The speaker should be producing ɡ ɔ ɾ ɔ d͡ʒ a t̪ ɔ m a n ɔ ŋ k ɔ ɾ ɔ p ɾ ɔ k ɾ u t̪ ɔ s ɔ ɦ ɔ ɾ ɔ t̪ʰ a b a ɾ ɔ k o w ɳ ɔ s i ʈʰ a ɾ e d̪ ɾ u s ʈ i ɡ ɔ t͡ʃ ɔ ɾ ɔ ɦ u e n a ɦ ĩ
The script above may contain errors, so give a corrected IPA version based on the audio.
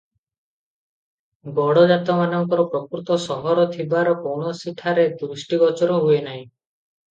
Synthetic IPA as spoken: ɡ ɔ ɽ ɔ d͡ʒ a t̪ ɔ m a n ɔ ŋ k ɔ ɾ ɔ p ɾ ɔ k ɾ u t̪ ɔ s ɔ ɦ ɔ ɾ ɔ t̪ʰ i b a ɾ ɔ k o w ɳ ɔ s i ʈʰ a ɾ e d̪ ɾ u s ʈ i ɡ ɔ t͡ʃ ɔ ɾ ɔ ɦ u e n a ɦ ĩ